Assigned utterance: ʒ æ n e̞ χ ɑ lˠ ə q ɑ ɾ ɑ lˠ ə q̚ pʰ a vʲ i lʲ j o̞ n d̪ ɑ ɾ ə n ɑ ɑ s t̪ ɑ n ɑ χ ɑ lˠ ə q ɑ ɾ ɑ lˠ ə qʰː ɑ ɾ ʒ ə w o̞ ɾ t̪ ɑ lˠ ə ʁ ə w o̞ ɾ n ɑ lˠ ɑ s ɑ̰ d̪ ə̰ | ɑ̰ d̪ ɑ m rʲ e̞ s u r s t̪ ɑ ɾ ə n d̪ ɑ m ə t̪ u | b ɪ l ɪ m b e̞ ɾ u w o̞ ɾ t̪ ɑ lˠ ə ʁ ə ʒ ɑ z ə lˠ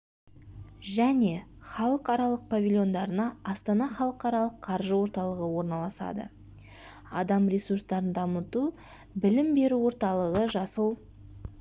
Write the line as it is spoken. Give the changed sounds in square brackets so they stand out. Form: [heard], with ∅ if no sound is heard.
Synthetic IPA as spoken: ʒ æ n e̞ χ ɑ lˠ ə q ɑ ɾ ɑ lˠ ə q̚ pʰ a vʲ i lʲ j o̞ n d̪ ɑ ɾ ə n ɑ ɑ s t̪ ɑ n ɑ χ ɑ lˠ ə q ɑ ɾ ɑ lˠ ə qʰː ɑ ɾ ʒ ə w o̞ ɾ t̪ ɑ lˠ ə ʁ ə w o̞ ɾ n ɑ lˠ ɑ s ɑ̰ d̪ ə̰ | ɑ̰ d̪ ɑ m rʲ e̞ s u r s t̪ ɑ ɾ ə n d̪ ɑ m ə t̪ u | b ɪ l ɪ m b e̞ ɾ u w o̞ ɾ t̪ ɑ lˠ ə ʁ ə ʒ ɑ [s] ə lˠ

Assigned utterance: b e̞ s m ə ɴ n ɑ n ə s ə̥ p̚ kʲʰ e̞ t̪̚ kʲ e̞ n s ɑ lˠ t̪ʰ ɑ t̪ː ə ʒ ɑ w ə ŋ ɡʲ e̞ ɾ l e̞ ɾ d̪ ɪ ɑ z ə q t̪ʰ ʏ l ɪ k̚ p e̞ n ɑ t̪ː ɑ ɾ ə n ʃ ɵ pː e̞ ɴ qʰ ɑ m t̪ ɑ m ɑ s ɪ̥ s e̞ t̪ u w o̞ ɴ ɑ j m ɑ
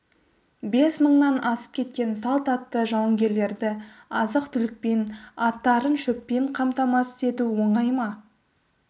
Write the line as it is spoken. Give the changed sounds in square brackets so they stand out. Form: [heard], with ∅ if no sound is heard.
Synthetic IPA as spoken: b e̞ s m ə ɴ n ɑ n [ɑ] s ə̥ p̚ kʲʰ e̞ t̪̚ kʲ e̞ n s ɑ lˠ [t̪] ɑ t̪ː ə ʒ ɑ w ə ŋ ɡʲ e̞ ɾ l e̞ ɾ d̪ ɪ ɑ z ə q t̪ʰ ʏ l ɪ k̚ p e̞ n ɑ t̪ː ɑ ɾ ə n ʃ ɵ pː e̞ ɴ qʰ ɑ m t̪ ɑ m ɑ s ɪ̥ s e̞ t̪ u w o̞ ɴ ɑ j m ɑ

